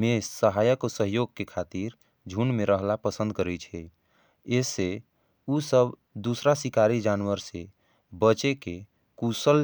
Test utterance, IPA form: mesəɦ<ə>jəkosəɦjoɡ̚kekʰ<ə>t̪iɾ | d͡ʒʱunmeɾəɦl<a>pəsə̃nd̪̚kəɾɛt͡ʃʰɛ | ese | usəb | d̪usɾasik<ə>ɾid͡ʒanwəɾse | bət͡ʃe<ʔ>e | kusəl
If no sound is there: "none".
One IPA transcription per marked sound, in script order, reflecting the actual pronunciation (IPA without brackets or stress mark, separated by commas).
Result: a, a, a, a, k